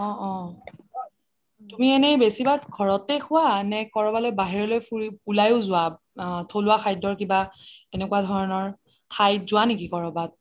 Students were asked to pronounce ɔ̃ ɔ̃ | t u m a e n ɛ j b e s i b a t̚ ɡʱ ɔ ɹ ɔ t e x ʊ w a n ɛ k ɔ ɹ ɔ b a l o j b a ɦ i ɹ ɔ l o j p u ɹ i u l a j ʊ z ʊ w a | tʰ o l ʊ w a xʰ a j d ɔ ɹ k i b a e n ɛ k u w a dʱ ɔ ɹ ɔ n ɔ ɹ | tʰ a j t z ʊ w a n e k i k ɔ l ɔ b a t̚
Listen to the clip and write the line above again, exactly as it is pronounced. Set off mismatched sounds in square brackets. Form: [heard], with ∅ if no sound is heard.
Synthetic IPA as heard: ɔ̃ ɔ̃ | t u m [i] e n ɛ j b e s i b a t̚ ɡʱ ɔ ɹ ɔ t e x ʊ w a n ɛ k ɔ ɹ ɔ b a l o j b a ɦ i ɹ ɔ l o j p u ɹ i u l a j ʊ z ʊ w a | tʰ o l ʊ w a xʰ a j d ɔ ɹ k i b a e n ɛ k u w a dʱ ɔ ɹ ɔ n ɔ ɹ | tʰ a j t z ʊ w a n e k i k ɔ [ɹ] ɔ b a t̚